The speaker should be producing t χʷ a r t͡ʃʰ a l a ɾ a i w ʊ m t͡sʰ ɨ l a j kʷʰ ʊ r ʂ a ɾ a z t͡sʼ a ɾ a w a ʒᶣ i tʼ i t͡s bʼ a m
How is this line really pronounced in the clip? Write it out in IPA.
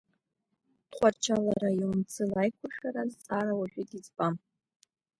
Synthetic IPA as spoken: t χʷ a r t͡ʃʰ a l a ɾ a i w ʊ m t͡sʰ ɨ l a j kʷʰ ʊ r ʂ a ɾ a z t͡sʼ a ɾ a w a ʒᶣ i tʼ i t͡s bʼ a m